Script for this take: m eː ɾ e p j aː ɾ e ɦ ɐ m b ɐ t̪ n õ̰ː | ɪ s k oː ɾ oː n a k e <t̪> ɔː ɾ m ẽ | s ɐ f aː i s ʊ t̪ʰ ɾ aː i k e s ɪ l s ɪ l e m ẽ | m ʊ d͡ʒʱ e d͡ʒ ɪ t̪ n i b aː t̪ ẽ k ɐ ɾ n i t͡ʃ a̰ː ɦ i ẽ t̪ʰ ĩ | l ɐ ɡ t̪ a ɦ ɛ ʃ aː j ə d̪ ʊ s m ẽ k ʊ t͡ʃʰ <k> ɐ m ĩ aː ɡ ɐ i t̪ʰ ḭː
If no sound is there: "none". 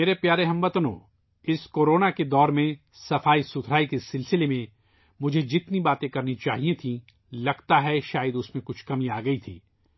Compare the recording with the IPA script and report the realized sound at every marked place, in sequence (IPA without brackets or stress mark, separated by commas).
d̪, k